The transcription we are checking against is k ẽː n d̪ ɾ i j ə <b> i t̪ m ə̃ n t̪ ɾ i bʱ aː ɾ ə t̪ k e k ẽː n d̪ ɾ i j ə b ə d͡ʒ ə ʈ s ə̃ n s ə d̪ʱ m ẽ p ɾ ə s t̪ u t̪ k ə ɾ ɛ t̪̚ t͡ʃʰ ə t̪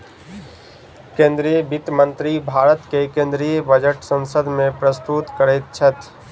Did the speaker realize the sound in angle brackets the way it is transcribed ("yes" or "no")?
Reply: yes